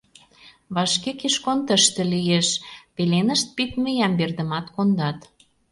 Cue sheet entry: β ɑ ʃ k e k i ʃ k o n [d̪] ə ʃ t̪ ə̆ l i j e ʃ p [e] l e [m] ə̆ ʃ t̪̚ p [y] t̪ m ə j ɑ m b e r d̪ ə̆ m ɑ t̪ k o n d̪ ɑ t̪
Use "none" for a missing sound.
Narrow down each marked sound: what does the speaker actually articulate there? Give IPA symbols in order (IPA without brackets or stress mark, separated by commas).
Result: t̪, e, n, i